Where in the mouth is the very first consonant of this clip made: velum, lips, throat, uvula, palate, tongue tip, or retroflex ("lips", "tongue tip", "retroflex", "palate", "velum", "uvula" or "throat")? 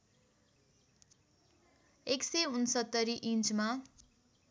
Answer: velum